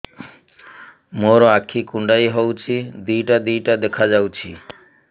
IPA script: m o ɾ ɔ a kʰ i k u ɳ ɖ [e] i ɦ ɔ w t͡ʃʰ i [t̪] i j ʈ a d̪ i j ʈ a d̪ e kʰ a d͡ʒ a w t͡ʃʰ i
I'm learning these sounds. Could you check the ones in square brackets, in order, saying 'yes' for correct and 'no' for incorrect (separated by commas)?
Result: no, no